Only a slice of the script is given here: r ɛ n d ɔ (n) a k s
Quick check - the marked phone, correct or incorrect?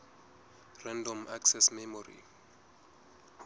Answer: incorrect